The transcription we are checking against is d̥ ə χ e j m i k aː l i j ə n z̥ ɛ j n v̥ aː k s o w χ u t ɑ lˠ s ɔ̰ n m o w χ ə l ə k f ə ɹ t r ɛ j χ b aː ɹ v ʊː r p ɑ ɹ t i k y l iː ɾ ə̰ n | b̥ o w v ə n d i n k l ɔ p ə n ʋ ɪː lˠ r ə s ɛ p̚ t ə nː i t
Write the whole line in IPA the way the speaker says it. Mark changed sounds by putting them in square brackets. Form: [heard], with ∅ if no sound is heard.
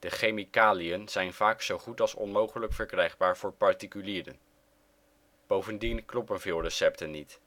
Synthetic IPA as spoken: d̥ ə χ e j m i k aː l i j ə n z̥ ɛ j n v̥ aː k s o w χ u t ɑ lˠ s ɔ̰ n m o w χ ə l ə k f ə ɹ [k] r ɛ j χ b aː ɹ v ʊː [ɹ] p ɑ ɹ t i k y l iː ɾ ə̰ n | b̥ o w v ə n d i n k l ɔ p ə n [v] ɪː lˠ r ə s ɛ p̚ t ə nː i t